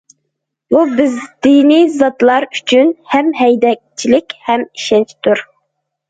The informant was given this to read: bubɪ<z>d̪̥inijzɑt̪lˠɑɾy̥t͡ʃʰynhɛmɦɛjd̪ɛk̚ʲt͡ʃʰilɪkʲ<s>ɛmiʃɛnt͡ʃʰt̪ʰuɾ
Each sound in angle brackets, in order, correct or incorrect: correct, incorrect: h

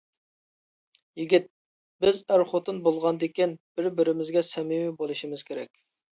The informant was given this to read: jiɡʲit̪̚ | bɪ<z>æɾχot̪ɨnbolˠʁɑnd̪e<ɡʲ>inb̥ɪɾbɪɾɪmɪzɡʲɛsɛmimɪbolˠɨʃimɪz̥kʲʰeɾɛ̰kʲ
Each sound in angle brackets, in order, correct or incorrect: correct, incorrect: kʲ

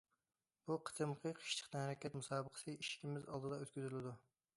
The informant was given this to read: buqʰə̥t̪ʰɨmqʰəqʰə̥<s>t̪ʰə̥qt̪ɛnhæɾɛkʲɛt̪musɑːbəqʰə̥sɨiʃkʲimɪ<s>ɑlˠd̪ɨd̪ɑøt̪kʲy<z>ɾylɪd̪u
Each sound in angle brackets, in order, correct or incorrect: incorrect: ʃ, incorrect: z, correct

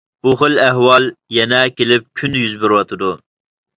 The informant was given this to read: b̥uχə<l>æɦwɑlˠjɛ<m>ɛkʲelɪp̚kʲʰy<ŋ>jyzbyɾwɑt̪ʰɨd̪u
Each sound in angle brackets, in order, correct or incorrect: correct, incorrect: n, incorrect: n

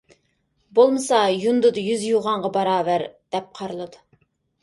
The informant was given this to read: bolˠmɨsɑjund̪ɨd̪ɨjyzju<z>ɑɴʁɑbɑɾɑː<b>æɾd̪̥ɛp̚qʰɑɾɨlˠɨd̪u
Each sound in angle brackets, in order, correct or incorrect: incorrect: ʁ, incorrect: v

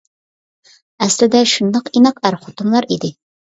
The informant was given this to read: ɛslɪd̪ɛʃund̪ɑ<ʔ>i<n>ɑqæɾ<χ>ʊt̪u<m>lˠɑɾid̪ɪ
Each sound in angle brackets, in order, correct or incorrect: incorrect: q, correct, correct, correct

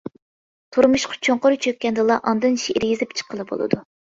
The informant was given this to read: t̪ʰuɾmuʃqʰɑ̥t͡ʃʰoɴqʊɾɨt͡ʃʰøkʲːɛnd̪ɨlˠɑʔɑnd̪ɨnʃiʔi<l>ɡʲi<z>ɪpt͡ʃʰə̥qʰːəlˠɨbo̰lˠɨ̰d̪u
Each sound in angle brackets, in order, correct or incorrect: incorrect: ɾ, correct

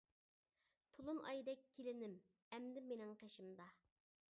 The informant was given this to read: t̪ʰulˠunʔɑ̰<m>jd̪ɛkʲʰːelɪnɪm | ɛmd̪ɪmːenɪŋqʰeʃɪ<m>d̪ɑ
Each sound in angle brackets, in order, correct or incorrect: incorrect: none, correct

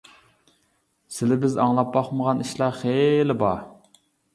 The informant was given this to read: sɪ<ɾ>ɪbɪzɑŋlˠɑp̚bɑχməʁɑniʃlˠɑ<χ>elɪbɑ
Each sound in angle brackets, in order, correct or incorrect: incorrect: l, correct

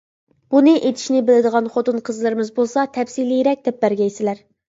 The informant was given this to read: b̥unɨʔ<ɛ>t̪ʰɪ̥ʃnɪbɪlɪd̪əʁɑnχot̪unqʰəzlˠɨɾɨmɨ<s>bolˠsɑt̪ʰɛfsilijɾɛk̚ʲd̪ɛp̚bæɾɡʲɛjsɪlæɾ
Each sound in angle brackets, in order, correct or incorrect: incorrect: e, incorrect: z

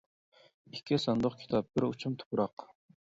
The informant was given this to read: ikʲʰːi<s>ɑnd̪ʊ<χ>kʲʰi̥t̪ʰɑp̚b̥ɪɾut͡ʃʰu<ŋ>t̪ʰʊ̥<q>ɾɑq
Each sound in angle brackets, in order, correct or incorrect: correct, correct, incorrect: m, incorrect: p

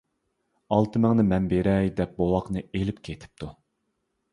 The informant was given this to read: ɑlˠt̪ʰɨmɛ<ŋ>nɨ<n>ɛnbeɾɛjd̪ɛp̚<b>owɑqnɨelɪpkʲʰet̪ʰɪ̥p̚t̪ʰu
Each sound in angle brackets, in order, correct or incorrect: correct, incorrect: m, correct

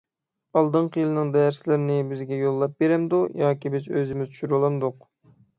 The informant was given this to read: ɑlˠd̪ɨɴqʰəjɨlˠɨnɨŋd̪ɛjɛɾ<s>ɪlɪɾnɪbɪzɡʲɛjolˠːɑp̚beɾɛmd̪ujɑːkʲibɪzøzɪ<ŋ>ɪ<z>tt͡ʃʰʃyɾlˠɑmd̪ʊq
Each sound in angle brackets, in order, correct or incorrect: correct, incorrect: m, correct

